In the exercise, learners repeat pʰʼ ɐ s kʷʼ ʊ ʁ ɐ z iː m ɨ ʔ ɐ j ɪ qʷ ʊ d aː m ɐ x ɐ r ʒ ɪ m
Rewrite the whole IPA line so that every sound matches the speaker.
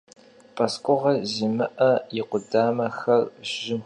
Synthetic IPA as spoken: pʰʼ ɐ s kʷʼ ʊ ʁ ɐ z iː m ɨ ʔ ɐ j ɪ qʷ ʊ d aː m ɐ x ɐ r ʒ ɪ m